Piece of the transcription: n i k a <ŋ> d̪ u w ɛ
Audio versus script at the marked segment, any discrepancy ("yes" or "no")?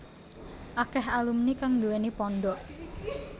no